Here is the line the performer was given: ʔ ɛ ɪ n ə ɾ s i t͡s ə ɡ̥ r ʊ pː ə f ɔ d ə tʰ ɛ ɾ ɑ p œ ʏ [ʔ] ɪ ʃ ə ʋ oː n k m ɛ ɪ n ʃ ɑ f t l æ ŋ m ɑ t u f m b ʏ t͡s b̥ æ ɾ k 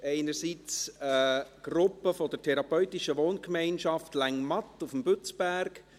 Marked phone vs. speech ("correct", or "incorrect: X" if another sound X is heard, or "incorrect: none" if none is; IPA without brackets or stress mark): incorrect: t